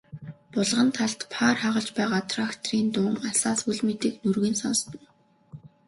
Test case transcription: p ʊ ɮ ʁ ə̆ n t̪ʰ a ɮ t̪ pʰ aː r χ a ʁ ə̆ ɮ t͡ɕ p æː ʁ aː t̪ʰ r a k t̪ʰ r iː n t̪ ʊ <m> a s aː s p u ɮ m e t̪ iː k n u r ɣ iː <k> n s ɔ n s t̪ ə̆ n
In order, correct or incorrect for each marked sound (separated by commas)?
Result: incorrect, incorrect